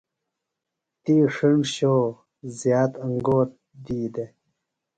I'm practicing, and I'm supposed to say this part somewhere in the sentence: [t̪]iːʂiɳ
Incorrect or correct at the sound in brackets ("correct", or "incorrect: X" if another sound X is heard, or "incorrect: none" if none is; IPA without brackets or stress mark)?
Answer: correct